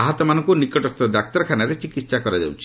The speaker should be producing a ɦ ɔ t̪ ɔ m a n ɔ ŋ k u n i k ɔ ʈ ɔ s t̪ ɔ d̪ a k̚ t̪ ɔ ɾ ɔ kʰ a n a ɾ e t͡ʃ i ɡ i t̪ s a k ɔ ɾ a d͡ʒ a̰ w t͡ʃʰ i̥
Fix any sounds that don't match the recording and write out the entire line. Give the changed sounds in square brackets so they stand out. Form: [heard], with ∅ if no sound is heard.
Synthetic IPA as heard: a ɦ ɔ t̪ ɔ m a n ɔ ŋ k u n i k ɔ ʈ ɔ s t̪ ɔ d̪ a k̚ t̪ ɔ ɾ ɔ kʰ a n a ɾ e t͡ʃ i [k] i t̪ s a k ɔ ɾ a d͡ʒ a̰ w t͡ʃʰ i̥

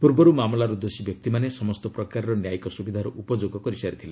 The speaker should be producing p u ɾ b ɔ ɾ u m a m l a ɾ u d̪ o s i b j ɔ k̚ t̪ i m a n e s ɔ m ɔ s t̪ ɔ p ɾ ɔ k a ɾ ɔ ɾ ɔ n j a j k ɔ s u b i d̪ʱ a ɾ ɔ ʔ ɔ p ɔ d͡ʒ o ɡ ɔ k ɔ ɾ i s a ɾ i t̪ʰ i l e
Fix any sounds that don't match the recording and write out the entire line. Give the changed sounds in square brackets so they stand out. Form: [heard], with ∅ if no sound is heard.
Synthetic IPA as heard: p u ɾ b ɔ ɾ u m a m l a ɾ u d̪ o s i b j ɔ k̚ t̪ i m a n e s ɔ m ɔ s t̪ ɔ p ɾ ɔ k a ɾ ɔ ɾ ɔ n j a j k ɔ s u b i d̪ʱ a ɾ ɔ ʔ [u] p ɔ d͡ʒ o ɡ ɔ k ɔ ɾ i s a ɾ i t̪ʰ i l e

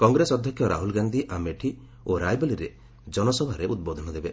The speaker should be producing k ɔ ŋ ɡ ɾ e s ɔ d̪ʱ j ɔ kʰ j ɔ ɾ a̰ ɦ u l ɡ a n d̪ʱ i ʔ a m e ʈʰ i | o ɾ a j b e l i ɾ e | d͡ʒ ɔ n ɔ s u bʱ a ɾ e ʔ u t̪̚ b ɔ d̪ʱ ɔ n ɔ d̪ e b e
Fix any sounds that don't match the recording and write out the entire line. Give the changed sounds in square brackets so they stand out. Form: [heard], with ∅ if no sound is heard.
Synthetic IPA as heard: k ɔ ŋ ɡ ɾ e s ɔ d̪ʱ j ɔ kʰ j ɔ ɾ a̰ ɦ u l ɡ a n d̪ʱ i ʔ a m e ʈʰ i | o ɾ a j b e l i ɾ e | d͡ʒ ɔ n ɔ s [ɔ] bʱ a ɾ e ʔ u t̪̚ b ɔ d̪ʱ ɔ n ɔ d̪ e b e

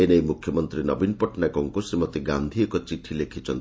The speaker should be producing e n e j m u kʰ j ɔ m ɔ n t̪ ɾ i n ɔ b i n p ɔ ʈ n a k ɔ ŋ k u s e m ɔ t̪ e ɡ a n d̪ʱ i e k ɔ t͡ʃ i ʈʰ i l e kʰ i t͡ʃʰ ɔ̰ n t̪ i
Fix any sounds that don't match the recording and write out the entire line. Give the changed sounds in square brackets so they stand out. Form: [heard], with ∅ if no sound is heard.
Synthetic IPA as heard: e n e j m u kʰ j ɔ m ɔ n t̪ ɾ i n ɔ b i n p ɔ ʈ n a k ɔ ŋ k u s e m ɔ t̪ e ɡ a n d̪ʱ i e k ɔ t͡ʃ i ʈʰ i l e kʰ i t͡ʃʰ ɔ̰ n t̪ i

